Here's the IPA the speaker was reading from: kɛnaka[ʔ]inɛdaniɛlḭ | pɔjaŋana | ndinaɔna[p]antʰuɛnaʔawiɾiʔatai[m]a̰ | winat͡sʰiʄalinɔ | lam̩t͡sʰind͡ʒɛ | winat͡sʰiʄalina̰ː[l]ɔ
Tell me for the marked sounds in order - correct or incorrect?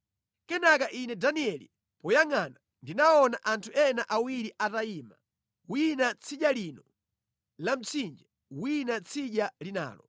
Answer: correct, incorrect: ʔ, correct, correct

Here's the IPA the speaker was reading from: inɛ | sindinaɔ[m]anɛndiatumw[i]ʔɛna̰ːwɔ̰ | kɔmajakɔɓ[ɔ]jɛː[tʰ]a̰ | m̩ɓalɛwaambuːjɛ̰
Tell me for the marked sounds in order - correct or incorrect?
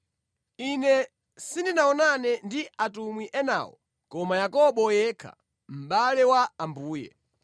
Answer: incorrect: n, correct, correct, incorrect: kʰ

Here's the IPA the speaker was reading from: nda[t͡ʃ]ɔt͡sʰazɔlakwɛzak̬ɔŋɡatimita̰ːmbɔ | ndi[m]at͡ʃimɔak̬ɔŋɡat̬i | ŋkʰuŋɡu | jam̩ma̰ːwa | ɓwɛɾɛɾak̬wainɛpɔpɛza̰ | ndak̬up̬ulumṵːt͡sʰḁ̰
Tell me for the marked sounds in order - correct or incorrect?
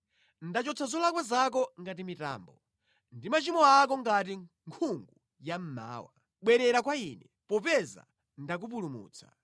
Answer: correct, correct

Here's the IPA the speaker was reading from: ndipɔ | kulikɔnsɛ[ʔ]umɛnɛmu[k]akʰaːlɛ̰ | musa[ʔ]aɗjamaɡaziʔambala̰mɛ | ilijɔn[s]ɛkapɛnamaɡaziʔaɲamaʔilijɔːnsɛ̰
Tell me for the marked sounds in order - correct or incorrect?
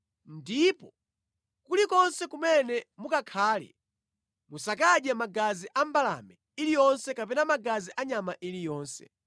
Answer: incorrect: k, correct, incorrect: k, correct

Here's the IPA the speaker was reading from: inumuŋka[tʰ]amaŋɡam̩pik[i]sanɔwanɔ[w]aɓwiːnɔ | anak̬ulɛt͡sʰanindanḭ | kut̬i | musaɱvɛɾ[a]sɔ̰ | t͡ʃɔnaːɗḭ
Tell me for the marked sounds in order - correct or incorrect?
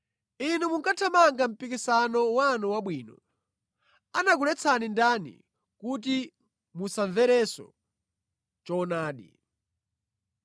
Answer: correct, correct, correct, incorrect: ɛ

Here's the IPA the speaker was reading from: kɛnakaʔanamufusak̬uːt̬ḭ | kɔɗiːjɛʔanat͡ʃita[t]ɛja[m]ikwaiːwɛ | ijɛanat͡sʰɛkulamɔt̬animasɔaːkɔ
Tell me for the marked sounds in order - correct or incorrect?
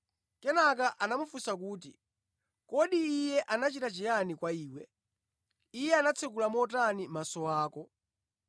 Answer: incorrect: t͡ʃ, incorrect: n

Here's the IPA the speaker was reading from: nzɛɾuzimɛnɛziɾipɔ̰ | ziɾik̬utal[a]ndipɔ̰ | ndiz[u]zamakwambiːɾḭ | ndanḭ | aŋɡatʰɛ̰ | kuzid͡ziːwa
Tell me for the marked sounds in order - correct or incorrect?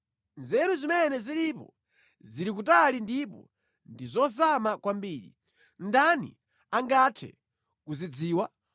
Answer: incorrect: i, incorrect: ɔ

